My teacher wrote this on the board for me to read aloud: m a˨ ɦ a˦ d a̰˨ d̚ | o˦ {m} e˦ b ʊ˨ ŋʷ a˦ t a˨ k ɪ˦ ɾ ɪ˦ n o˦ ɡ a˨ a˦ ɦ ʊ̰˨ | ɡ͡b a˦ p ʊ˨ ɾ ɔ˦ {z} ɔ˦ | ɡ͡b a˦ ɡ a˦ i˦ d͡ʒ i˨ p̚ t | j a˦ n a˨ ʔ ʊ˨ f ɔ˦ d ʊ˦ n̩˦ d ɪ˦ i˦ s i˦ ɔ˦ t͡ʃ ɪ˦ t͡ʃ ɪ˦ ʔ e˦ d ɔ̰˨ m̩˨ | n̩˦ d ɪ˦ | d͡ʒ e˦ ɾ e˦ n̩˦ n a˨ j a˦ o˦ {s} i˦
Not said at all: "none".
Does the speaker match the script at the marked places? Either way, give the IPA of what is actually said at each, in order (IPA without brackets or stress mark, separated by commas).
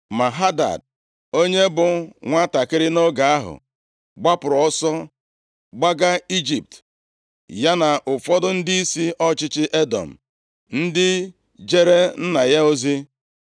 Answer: ɲ, s, z